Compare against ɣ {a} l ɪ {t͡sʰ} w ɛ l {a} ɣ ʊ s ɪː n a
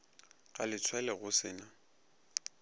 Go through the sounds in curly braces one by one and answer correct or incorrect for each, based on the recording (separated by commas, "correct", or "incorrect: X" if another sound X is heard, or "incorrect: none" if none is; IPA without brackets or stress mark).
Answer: correct, correct, incorrect: ɛ